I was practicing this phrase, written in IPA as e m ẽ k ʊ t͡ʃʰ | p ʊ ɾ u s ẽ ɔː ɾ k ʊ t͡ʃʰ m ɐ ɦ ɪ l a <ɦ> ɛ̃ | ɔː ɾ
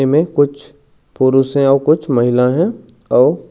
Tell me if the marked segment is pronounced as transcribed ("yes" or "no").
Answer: yes